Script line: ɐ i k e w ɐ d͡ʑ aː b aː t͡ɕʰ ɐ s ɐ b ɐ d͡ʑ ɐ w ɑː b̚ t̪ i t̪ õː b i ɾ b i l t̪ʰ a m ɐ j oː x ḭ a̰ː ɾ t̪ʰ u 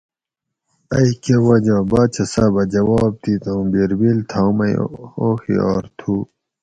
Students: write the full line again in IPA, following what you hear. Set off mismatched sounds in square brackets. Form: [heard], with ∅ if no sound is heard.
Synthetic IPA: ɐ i k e w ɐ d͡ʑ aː b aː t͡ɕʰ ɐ s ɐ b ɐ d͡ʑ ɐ w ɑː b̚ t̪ i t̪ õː b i ɾ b i l t̪ʰ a m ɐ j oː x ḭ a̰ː ɾ t̪ʰ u